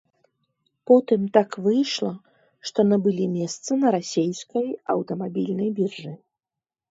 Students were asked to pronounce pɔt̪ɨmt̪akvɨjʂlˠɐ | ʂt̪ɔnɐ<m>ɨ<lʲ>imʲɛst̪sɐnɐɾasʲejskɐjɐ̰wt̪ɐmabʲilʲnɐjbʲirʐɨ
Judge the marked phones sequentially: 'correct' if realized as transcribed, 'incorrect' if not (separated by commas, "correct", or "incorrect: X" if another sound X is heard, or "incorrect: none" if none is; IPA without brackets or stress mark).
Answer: incorrect: b, correct